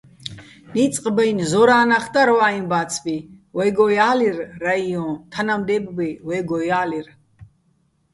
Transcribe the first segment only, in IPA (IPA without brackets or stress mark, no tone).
n